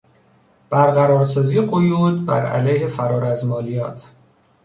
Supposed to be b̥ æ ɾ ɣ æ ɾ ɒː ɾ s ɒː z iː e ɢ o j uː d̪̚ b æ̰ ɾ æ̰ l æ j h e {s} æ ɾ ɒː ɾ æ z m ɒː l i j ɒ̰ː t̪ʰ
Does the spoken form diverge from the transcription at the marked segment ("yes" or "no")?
yes